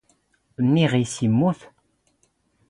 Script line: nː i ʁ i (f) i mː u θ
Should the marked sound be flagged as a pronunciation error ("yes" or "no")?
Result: yes